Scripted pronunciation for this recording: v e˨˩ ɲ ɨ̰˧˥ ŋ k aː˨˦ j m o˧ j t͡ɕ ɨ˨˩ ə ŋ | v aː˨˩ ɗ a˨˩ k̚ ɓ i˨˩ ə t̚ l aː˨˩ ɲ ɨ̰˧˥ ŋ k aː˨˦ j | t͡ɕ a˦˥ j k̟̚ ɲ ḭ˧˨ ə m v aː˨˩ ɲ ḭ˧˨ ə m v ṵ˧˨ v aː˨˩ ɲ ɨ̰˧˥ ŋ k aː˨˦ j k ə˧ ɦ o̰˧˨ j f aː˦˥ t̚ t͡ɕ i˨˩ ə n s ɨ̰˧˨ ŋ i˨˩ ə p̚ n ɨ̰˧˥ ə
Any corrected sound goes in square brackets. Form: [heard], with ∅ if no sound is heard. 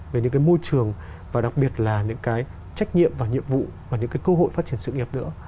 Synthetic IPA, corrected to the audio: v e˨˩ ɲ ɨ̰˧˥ ŋ k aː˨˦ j m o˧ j t͡ɕ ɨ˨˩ ə ŋ | v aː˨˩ ɗ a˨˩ k̚ ɓ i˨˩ ə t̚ l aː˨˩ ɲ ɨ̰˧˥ ŋ k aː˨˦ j | t͡ɕ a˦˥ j k̟̚ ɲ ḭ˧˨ ə m v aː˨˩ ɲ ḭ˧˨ ə m v ṵ˧˨ v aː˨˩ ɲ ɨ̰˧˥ ŋ k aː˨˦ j k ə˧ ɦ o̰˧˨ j f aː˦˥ t̚ t͡ɕ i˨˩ ə n s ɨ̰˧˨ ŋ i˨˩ ə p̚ n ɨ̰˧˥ ə